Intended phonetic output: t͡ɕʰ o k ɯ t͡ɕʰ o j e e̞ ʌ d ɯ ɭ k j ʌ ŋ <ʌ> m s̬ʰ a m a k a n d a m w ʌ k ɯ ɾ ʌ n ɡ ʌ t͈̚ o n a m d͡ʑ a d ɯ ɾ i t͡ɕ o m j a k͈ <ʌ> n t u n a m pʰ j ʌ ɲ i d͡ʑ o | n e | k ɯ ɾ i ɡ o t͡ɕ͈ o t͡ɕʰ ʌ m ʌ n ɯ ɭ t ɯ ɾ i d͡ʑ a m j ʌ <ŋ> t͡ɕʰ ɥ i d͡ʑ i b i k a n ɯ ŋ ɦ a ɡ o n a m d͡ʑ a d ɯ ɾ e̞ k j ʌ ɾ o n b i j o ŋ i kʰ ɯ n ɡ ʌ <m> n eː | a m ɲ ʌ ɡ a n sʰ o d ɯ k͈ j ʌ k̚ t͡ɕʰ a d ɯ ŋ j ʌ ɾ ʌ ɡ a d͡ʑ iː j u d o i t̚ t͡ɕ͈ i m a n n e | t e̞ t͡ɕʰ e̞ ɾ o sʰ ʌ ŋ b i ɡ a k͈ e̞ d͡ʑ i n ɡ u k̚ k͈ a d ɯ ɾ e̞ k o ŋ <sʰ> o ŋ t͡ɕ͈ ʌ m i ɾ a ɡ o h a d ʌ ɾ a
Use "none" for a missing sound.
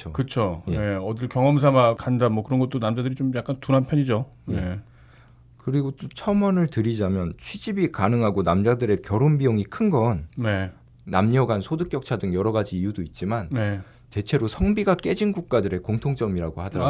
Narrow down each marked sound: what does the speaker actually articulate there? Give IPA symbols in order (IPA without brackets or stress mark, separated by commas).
ʌ, a, n, n, tʰ